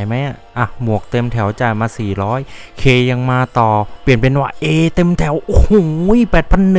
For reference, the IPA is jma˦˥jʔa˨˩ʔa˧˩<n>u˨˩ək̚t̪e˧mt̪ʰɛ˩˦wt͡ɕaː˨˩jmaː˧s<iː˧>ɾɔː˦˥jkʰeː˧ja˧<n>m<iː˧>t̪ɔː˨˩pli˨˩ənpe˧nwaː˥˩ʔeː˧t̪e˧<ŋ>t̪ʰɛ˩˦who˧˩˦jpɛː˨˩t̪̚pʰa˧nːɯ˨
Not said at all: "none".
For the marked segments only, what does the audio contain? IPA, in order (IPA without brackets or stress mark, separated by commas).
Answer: m, iː˨˩, ŋ, aː˧, m